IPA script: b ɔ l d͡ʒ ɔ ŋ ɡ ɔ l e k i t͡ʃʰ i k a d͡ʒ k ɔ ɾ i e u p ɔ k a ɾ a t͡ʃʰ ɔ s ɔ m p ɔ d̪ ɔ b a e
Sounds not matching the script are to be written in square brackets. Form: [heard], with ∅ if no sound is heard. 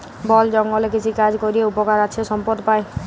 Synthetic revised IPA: b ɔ l d͡ʒ ɔ ŋ ɡ ɔ l e k i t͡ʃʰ i k a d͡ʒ k ɔ ɾ i e u p ɔ k a ɾ a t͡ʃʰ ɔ s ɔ m p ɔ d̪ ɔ [p] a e